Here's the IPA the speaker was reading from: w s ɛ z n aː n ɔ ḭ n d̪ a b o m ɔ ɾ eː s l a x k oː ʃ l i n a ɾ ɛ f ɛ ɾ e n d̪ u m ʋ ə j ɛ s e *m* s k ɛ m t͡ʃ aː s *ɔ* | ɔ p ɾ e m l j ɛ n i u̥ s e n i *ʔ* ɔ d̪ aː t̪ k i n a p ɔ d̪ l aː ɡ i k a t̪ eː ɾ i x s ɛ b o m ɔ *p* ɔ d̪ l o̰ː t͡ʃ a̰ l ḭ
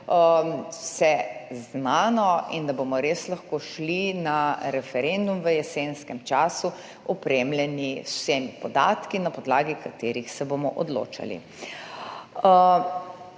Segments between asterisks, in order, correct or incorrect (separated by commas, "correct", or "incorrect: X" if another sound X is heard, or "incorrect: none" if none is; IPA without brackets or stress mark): incorrect: n, incorrect: u, incorrect: p, incorrect: ʔ